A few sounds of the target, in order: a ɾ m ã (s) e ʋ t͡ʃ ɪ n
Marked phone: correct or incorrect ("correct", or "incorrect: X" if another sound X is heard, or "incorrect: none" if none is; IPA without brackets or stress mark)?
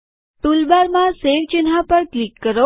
correct